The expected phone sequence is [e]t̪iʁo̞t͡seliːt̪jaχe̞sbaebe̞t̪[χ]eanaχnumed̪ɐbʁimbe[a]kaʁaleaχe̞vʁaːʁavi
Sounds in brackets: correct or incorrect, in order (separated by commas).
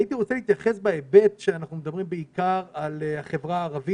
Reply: incorrect, incorrect, incorrect